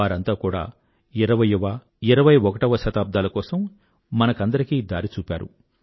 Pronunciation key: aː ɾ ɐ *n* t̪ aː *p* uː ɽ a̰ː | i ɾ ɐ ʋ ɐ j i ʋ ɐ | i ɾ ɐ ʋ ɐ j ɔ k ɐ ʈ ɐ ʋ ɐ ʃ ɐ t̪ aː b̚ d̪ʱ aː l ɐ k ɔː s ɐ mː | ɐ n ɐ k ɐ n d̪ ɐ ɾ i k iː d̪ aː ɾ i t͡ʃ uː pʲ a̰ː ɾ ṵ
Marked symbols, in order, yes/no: yes, no

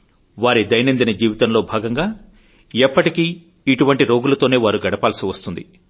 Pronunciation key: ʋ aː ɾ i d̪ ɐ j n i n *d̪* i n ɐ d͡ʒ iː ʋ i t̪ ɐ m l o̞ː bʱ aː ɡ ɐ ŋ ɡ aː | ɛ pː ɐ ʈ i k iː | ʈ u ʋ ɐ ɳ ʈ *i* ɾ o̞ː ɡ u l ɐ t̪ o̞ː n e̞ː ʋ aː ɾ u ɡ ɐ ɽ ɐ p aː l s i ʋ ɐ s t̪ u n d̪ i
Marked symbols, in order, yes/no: yes, yes

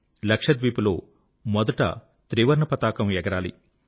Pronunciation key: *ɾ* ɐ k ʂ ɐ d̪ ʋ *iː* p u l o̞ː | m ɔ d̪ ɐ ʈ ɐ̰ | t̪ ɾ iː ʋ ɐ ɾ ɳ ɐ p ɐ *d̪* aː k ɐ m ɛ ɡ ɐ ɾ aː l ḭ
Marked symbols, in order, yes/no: no, yes, no

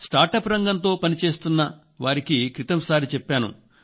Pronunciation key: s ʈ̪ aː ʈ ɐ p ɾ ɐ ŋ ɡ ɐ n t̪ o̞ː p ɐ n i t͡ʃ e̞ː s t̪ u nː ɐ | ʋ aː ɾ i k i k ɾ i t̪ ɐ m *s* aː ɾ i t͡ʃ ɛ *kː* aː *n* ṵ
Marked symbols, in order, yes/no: yes, no, yes

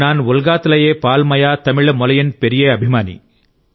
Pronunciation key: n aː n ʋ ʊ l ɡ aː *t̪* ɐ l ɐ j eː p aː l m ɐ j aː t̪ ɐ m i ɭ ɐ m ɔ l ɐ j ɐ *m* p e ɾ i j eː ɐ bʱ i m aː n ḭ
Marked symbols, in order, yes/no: yes, no

